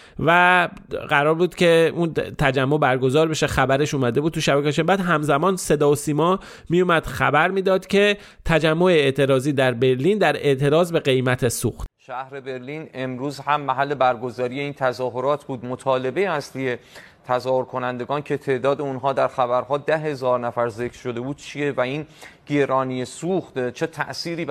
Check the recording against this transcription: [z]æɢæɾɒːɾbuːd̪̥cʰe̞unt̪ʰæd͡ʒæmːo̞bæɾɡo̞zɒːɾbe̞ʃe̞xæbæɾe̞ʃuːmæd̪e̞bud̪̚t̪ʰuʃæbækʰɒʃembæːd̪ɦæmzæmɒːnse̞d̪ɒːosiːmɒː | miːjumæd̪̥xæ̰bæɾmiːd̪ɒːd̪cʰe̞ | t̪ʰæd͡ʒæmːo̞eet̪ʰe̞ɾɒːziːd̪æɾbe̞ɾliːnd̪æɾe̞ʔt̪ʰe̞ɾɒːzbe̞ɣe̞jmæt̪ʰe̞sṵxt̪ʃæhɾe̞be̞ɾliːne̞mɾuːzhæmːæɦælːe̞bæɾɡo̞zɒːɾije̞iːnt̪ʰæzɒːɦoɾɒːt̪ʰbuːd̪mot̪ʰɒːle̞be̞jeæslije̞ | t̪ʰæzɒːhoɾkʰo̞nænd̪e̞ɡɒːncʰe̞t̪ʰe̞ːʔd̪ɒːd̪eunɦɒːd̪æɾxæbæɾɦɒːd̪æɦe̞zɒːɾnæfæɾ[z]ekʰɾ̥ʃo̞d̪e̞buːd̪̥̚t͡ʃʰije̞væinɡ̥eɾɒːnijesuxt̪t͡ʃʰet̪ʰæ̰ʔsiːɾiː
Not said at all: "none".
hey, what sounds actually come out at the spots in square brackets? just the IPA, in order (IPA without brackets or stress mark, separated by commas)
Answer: v, z